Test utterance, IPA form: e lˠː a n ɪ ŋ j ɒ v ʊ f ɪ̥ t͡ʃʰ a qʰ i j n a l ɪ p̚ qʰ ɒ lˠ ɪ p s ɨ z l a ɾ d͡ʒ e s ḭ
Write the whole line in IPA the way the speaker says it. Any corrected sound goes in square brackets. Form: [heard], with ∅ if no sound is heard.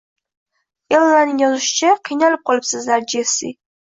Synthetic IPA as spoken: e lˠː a n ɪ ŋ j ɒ [z] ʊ [ʃ] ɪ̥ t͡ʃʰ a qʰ i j n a l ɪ p̚ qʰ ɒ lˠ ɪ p s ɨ z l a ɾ d͡ʒ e s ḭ